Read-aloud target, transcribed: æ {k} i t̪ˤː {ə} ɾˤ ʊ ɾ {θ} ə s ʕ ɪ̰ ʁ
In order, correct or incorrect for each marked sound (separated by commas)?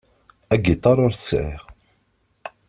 incorrect, incorrect, correct